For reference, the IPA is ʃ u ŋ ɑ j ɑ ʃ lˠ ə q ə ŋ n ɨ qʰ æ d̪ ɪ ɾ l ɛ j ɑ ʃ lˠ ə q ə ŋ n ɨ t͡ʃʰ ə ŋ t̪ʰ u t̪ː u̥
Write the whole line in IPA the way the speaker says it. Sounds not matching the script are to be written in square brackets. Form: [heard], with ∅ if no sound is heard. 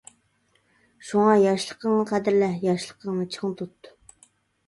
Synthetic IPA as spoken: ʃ u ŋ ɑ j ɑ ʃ lˠ ə q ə ŋ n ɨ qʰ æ d̪ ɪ ɾ l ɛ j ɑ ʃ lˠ ə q ə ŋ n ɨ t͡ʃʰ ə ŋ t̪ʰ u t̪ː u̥